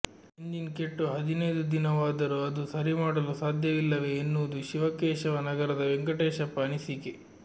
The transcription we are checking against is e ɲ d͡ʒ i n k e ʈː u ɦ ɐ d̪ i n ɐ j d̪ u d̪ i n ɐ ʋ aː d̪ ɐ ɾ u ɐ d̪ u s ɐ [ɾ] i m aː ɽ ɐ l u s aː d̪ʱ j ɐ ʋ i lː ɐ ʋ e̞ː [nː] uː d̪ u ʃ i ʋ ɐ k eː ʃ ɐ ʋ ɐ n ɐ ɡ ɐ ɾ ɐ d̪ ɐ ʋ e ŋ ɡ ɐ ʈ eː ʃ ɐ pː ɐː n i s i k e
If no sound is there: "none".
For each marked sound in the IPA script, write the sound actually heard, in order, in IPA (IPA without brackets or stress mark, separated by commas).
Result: ɾ, nː